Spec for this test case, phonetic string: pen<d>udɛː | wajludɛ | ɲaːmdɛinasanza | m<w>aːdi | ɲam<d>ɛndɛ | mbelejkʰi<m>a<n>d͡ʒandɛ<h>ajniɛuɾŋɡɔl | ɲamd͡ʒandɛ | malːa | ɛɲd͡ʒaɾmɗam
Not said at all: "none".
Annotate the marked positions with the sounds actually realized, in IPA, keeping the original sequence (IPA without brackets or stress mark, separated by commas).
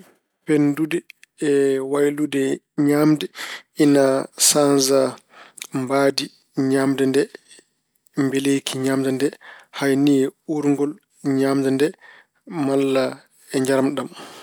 d, b, d, ɲ, m, h